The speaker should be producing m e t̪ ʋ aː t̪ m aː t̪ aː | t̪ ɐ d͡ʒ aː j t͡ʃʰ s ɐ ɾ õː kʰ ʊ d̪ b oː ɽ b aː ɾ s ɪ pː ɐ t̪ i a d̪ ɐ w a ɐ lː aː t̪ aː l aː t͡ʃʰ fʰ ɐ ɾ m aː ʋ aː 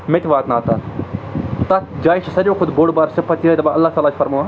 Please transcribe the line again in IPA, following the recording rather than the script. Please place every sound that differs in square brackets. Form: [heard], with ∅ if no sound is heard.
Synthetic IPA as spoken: m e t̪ ʋ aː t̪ [n] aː t̪ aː | t̪ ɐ d͡ʒ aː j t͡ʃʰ s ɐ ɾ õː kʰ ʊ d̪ b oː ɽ b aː ɾ s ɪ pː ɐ t̪ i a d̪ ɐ [b] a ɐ lː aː t̪ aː l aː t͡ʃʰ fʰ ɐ ɾ m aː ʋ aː

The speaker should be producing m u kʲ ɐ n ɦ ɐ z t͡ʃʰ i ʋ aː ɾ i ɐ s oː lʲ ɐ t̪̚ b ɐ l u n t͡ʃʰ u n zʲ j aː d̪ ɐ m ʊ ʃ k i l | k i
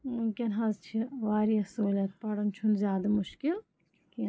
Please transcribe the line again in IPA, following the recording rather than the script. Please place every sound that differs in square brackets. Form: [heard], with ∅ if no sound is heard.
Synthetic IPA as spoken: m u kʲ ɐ n ɦ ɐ z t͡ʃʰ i ʋ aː ɾ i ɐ s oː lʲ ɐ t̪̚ [p] ɐ [ɽ] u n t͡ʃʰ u n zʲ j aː d̪ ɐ m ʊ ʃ k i l | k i

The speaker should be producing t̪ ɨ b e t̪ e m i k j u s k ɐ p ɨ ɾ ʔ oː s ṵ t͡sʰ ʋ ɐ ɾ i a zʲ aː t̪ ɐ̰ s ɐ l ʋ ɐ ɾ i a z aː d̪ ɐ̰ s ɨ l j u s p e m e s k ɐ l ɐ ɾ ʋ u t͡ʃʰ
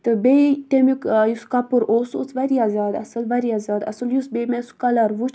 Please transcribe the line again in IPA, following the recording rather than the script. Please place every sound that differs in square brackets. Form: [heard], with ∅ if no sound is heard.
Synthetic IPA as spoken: t̪ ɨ b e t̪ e m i k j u s k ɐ p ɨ ɾ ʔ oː s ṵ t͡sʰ ʋ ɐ ɾ i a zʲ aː [d̪] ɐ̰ s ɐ l ʋ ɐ ɾ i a z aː d̪ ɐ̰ s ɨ l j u s [b] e m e s k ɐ l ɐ ɾ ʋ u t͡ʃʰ

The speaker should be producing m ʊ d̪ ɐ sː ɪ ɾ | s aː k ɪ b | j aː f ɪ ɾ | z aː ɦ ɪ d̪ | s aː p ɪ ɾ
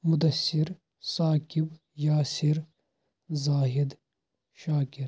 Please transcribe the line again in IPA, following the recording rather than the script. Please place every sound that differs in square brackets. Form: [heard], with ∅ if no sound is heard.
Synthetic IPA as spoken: m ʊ d̪ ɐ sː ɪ ɾ | s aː k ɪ b | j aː [s] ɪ ɾ | z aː ɦ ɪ d̪ | [ʃ] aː [k] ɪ ɾ

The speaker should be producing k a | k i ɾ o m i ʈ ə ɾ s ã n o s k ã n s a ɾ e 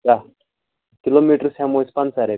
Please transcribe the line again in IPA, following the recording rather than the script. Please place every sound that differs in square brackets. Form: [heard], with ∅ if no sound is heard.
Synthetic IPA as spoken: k a | k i [l] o m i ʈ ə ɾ s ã [m] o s [p] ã n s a ɾ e

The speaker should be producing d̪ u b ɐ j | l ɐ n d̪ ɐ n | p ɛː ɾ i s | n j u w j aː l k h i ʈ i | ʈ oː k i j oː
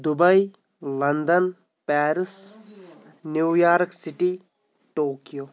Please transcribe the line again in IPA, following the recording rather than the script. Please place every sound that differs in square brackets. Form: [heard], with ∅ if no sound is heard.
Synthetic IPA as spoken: d̪ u b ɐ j | l ɐ n d̪ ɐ n | p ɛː ɾ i s | n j u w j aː [ɾ] k [s] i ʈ i | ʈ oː k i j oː

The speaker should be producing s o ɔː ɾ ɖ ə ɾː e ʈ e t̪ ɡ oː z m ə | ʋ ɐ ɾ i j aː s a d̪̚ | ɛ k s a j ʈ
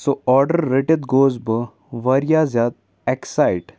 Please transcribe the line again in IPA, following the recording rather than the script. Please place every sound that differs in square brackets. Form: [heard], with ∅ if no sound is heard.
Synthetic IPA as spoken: s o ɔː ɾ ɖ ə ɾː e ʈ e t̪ ɡ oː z [b] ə | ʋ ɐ ɾ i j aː [z] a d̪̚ | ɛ k s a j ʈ

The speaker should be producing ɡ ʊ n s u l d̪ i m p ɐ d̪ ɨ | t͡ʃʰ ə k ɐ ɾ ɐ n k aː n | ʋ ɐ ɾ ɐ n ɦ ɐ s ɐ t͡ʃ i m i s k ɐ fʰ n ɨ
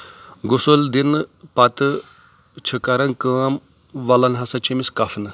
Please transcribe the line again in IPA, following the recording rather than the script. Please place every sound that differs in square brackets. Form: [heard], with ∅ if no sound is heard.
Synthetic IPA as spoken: ɡ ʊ [∅] s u l d̪ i [n] p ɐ [t̪] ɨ | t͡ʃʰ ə k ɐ ɾ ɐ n k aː [m] | ʋ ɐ [l] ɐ n ɦ ɐ s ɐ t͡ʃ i m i s k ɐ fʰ n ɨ

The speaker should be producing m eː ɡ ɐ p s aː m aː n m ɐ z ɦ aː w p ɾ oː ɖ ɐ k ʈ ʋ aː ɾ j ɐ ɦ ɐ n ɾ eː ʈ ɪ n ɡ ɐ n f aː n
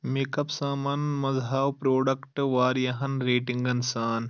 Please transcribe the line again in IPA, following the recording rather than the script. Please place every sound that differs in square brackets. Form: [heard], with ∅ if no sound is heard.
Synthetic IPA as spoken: m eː [k] ɐ p s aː m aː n m ɐ z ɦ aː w p ɾ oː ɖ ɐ k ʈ ʋ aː ɾ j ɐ ɦ ɐ n ɾ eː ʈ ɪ [ŋ] ɡ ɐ n [s] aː n

